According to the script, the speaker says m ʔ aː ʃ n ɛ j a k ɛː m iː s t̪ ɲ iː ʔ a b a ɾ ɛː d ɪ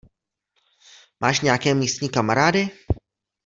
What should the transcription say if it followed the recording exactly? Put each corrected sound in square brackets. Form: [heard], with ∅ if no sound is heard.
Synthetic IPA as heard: m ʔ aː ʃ [ɲ] ɛ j a k ɛː m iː s t̪ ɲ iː [k] a [m] a ɾ [aː] d ɪ

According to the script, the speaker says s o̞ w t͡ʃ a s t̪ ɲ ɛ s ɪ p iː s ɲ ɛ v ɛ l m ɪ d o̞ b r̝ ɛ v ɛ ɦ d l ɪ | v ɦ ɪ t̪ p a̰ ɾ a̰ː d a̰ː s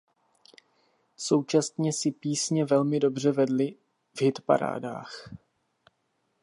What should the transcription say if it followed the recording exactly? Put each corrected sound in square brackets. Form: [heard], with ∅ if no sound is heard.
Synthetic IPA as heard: s o̞ w t͡ʃ a s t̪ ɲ ɛ s ɪ p iː s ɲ ɛ v ɛ l m ɪ d o̞ b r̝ ɛ v ɛ [∅] d l ɪ | v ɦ ɪ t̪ p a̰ ɾ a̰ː d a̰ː [x]

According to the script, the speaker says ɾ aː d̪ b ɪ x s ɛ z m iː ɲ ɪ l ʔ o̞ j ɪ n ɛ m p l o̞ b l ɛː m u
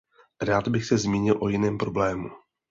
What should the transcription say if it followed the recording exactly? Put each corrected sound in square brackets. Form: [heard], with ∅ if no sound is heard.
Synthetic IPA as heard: ɾ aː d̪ b ɪ x s ɛ z m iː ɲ ɪ l ʔ o̞ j ɪ n [ɛː] m p [ɾ] o̞ b l ɛː m u

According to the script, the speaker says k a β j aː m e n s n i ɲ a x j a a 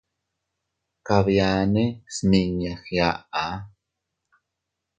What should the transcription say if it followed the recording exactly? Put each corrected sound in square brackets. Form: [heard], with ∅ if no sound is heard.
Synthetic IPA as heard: k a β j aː [n] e [∅] s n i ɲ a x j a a

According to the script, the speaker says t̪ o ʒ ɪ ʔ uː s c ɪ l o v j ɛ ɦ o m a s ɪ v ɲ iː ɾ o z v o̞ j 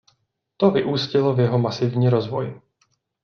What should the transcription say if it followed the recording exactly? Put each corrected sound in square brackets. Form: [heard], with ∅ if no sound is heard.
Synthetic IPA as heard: t̪ o [v] ɪ ʔ uː s c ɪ l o v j ɛ ɦ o m a s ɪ v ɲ iː ɾ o z v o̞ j

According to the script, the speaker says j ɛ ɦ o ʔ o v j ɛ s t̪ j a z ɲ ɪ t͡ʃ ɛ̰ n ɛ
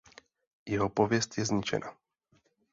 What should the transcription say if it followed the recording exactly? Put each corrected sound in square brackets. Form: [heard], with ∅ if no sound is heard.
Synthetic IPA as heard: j ɛ ɦ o [p] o v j ɛ s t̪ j [ɛ] z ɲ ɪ t͡ʃ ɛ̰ n [a]

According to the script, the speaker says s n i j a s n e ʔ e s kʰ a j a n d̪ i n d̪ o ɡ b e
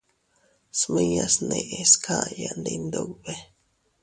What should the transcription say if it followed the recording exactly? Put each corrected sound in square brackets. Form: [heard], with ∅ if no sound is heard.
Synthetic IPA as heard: s [m] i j a s n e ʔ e s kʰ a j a n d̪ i n d̪ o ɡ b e

